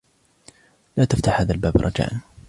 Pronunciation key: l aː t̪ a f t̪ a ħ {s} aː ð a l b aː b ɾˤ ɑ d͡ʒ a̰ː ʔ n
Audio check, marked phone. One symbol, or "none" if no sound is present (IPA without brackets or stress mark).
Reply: h